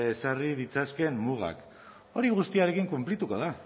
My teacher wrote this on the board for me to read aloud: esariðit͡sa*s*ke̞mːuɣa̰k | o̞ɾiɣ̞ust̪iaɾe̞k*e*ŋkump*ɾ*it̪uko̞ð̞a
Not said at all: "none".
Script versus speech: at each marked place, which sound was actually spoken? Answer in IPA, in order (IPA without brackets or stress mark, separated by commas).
s, i, l